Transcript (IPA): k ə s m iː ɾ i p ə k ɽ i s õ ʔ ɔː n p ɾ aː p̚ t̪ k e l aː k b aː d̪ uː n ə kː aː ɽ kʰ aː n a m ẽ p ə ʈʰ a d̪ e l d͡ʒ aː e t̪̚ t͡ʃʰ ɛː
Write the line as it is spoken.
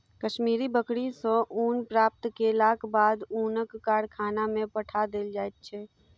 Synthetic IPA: k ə ʃ m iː ɾ i b ə k ɽ i s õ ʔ uː n p ɾ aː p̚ t̪ k e l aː k b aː d̪ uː n ə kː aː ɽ kʰ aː n a m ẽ p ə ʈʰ a d̪ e l d͡ʒ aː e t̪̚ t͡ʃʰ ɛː

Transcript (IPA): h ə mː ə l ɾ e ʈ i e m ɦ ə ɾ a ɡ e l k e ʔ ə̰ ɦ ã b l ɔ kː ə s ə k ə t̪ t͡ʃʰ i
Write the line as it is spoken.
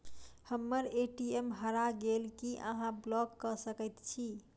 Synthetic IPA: h ə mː ə ɾ e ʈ i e m ɦ ə ɾ a ɡ e l k i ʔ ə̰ ɦ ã b l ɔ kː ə s ə k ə t̪ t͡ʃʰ i

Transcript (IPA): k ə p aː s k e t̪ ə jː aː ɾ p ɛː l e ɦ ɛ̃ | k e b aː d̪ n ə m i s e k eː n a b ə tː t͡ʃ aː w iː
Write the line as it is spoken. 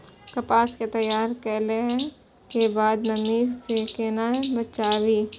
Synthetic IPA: k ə p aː s k e t̪ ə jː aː ɾ k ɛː l e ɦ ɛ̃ | k e b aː d̪ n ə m i s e k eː n a b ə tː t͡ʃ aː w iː

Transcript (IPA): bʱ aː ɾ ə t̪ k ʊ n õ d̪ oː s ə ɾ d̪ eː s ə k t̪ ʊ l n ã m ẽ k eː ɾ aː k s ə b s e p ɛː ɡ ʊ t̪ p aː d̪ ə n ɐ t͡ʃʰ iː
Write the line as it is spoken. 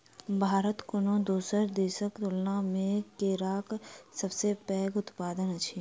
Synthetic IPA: bʱ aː ɾ ə t̪ k ʊ n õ d̪ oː s ə ɾ d̪ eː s ə k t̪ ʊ l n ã m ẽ k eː ɾ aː k s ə b s e p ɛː ɡ ʊ t̪ p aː d̪ ə n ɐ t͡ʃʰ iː

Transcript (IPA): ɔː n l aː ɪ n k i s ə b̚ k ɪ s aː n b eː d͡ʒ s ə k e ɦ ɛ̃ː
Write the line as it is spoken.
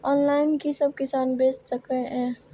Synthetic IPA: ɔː n l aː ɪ n k i s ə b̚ k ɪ s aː n b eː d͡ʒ s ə k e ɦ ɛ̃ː

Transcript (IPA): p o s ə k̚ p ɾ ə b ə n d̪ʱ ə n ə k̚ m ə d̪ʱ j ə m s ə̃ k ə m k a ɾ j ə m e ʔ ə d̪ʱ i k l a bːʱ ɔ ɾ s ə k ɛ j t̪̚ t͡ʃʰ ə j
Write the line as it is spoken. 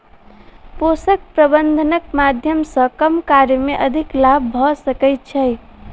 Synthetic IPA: p o s ə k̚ p ɾ ə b ə n d̪ʱ ə n ə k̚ m a d̪ʱ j ə m s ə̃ k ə m k a ɾ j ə m e ʔ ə d̪ʱ i k l a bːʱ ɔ s ə k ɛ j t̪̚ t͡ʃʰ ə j

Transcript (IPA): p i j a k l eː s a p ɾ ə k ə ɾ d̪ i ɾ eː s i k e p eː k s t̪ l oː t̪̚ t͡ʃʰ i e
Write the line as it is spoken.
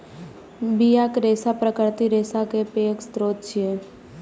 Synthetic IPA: b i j a k ɾ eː s a p ɾ ə k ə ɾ t̪ i ɾ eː s a k e p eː k s t̪ ɾ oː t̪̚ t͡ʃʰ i e

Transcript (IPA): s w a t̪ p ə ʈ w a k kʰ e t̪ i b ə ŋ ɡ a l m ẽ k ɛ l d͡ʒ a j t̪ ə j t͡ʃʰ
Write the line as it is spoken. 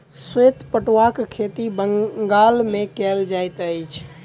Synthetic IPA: s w e t̪ p ə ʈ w a k kʰ e t̪ i b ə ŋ ɡ a l m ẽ k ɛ l d͡ʒ a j t̪ ə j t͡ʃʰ

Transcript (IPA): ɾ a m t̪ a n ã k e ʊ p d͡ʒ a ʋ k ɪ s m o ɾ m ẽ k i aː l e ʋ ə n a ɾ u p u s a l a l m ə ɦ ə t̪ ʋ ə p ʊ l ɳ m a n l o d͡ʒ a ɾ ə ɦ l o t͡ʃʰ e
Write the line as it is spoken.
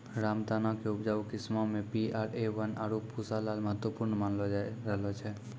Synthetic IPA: ɾ a m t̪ a n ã k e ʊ p d͡ʒ a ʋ k ɪ s m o m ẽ p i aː ɾ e ʋ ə n a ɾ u p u s a l a l m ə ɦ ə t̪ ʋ ə p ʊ ɾ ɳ m a n l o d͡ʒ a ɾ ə ɦ l o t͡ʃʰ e

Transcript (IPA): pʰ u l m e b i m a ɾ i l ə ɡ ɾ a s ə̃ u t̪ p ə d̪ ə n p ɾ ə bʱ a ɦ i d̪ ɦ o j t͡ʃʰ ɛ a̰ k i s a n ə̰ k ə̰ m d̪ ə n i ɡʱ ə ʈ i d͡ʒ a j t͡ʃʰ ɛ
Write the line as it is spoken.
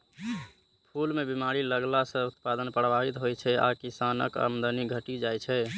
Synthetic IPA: pʰ u l m e b i m a ɾ i l ə ɡ l a s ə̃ u t̪ p a d̪ ə n p ɾ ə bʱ a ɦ i t̪ ɦ o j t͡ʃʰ ɛ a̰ k i s a n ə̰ k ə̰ m d̪ ə n i ɡʱ ə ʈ i d͡ʒ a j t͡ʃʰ ɛ

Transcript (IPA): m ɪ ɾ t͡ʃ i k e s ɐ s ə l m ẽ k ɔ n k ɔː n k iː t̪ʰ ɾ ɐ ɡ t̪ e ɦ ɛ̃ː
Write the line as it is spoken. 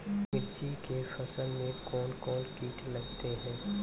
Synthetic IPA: m ɪ ɾ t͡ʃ i k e f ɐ s ə l m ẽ k ɔː n k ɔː n k iː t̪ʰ l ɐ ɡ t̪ e ɦ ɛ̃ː

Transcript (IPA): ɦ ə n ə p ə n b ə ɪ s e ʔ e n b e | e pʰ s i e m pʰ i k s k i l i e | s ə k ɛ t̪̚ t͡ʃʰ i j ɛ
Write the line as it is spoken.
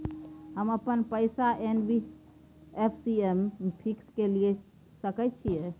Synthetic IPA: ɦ ə m ə p ə n p ə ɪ s a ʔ e n b i | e pʰ s i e m pʰ i k s k e l i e | s ə k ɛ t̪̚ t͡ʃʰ i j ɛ

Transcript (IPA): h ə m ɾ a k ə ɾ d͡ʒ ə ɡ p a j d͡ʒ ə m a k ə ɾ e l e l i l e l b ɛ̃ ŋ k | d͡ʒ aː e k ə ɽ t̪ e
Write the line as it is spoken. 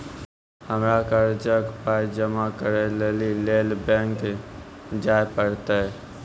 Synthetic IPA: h ə m ɾ a k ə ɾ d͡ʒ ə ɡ p a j d͡ʒ ə m a k ə ɾ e l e l i l e l b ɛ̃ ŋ k | d͡ʒ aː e p ə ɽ t̪ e

